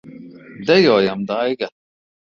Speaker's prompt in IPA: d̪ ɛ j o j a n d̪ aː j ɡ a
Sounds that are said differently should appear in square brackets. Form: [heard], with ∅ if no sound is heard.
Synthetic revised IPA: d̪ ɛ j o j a [m] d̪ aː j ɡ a